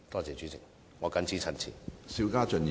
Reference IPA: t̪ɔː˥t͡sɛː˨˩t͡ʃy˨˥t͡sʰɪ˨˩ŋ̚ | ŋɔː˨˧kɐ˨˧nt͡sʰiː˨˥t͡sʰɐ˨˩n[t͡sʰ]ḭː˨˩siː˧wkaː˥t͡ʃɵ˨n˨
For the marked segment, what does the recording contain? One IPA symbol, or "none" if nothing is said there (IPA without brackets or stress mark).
t͡sʰ